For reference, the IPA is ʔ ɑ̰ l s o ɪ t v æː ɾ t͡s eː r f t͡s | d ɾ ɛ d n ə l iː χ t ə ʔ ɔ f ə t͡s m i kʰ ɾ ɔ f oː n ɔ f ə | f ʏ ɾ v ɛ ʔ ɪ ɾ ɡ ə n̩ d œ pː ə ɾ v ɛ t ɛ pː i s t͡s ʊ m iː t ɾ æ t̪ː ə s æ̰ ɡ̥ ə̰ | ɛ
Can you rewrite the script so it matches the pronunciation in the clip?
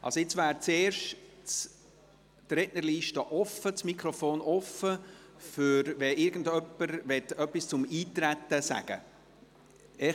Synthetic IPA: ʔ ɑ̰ l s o ɪ t͡s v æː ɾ t͡s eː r ʃ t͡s | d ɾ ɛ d n ə l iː ʃ t ə ʔ ɔ f ə t͡s m i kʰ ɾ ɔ f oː n ɔ f ə | f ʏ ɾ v ɛ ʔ ɪ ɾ ɡ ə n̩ d œ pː ə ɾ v ɛ t œ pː i s t͡s ʊ m iː t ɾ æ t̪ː ə s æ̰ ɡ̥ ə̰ | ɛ